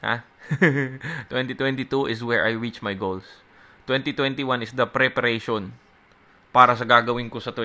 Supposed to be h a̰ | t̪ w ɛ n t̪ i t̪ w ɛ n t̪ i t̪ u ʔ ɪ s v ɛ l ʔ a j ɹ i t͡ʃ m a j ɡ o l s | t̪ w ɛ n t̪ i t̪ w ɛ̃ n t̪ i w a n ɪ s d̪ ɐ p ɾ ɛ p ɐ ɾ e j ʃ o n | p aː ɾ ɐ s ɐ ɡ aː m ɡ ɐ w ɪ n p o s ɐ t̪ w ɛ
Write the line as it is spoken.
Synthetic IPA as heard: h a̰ | t̪ w ɛ n t̪ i t̪ w ɛ n t̪ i t̪ u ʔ ɪ s w ɛ ɹ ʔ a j ɹ i t͡ʃ m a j ɡ o l s | t̪ w ɛ n t̪ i t̪ w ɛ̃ n t̪ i w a n ɪ s d̪ ɐ p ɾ ɛ p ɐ ɾ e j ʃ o n | p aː ɾ ɐ s ɐ ɡ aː ɡ ɐ w ɪ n k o s ɐ t̪ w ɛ